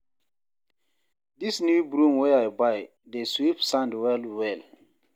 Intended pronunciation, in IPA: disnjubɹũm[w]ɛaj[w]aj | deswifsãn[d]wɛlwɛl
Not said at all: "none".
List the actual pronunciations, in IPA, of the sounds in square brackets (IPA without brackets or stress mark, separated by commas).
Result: w, b, d